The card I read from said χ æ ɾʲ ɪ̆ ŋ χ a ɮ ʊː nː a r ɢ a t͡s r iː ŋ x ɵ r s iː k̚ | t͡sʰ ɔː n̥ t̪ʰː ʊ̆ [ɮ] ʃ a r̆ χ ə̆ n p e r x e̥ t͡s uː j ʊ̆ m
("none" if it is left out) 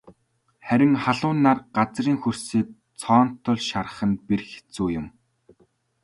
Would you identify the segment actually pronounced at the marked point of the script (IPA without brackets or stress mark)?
ɮ